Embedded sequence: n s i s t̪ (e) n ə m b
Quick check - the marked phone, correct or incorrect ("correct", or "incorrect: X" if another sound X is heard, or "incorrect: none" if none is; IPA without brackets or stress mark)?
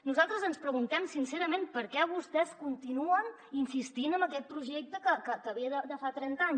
incorrect: i